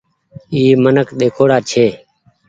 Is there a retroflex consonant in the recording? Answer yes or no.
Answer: yes